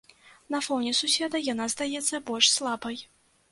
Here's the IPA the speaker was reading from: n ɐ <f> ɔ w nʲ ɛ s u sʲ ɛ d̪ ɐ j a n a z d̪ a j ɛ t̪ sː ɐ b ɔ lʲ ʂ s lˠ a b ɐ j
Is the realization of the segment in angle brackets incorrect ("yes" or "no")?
no